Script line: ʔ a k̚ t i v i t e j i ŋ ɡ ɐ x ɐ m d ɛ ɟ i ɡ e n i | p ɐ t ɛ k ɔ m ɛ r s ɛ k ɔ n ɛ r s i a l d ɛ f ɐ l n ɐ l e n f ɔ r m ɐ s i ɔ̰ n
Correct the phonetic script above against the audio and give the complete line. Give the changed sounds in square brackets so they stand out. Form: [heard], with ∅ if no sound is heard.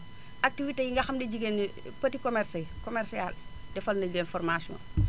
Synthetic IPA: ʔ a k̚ t i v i t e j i ŋ ɡ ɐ x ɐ m d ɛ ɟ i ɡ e n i | p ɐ t [i] k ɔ m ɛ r s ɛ k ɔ [m] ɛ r s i a l d ɛ f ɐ l n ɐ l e n f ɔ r m [a] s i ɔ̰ n